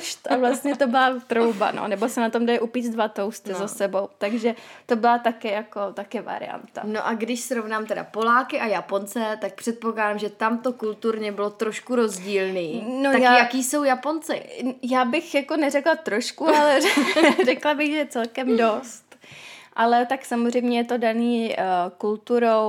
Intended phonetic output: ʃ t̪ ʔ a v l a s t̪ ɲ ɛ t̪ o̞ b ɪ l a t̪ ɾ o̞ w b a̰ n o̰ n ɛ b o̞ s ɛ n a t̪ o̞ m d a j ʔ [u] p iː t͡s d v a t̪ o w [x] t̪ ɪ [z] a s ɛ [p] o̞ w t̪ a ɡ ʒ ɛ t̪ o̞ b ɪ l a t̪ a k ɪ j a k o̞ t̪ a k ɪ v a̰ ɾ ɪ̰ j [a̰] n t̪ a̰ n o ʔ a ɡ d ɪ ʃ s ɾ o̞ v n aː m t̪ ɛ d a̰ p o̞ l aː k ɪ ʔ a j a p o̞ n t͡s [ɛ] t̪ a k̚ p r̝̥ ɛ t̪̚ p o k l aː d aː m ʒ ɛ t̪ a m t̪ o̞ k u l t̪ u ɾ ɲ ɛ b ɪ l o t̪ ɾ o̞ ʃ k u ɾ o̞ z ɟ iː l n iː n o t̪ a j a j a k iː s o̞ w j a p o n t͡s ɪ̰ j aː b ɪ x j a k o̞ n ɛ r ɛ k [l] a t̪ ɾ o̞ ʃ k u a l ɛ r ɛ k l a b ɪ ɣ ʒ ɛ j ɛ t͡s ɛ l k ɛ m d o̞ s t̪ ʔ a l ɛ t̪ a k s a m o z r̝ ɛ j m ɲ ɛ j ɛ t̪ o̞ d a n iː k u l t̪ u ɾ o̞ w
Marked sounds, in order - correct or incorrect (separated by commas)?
correct, incorrect, correct, incorrect, correct, correct, correct